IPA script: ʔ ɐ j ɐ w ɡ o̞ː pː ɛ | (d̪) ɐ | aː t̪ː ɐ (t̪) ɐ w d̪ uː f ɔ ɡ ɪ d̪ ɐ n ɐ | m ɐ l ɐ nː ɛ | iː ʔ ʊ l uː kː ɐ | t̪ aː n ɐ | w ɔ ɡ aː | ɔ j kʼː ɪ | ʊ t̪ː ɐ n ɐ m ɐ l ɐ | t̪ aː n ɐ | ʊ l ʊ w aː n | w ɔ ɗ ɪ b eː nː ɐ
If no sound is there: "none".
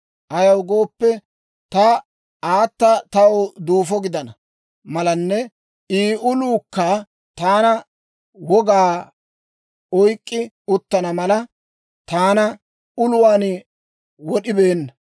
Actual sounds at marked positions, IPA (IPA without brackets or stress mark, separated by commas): t̪, t̪